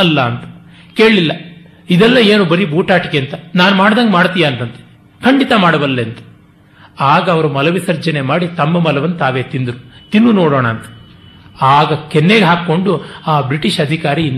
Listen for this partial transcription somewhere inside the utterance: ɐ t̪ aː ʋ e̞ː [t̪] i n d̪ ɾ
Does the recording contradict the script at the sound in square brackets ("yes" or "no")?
no